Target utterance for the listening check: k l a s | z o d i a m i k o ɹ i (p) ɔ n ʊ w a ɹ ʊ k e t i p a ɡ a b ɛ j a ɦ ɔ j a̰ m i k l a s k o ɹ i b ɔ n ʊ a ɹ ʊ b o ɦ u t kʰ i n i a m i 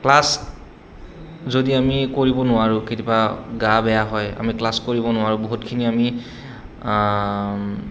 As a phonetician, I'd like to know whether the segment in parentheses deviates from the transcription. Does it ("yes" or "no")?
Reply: yes